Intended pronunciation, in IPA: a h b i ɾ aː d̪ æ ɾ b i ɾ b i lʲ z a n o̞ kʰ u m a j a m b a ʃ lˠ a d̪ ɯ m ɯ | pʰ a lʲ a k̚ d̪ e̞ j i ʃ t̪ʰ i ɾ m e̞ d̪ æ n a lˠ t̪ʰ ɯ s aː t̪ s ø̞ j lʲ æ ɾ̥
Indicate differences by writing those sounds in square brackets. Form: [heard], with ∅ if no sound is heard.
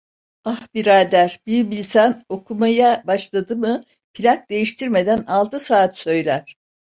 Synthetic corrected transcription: a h b i ɾ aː d̪ æ ɾ b i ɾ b i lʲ [s] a n o̞ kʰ u m a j a [∅] b a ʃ lˠ a d̪ ɯ m ɯ | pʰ [i] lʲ a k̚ d̪ e̞ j i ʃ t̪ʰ i ɾ m e̞ d̪ æ n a lˠ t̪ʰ ɯ s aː t̪ s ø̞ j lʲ æ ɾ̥